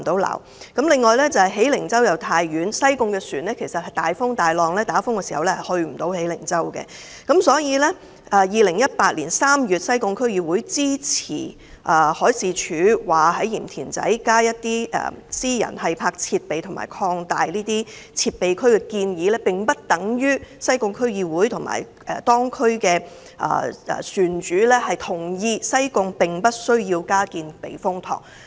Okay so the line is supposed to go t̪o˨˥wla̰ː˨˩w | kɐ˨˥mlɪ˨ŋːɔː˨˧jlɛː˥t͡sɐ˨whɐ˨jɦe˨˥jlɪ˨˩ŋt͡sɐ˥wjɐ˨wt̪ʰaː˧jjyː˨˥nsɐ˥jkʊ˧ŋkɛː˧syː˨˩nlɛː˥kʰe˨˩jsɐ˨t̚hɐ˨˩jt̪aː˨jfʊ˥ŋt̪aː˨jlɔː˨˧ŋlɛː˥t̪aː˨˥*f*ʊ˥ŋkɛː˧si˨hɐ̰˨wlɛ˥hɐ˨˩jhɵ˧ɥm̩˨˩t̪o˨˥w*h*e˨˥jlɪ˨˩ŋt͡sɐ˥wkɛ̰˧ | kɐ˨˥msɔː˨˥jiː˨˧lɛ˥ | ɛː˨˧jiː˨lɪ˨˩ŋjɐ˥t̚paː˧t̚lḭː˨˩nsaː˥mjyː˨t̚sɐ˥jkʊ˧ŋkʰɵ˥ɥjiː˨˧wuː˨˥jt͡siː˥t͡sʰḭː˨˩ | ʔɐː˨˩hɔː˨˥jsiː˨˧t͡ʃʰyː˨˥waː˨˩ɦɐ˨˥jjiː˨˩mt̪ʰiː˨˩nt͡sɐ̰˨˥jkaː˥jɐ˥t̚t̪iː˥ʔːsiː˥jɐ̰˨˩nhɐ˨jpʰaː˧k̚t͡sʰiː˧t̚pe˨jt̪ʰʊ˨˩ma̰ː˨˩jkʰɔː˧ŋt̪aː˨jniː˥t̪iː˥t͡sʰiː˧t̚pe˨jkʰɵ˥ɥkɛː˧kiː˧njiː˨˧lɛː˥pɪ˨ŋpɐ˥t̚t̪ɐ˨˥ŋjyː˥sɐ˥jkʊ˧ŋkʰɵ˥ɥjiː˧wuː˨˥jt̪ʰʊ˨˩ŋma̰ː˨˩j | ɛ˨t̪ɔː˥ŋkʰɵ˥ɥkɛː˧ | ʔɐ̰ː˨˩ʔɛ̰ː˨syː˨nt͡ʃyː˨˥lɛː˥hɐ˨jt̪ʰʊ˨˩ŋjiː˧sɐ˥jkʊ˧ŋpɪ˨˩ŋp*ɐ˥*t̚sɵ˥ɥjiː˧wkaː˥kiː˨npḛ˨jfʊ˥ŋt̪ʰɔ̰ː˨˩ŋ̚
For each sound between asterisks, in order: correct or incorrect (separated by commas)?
correct, correct, correct